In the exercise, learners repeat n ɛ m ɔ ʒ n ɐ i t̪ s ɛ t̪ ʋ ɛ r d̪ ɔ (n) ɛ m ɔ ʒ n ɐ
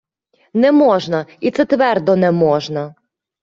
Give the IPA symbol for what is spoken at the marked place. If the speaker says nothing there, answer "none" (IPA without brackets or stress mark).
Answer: n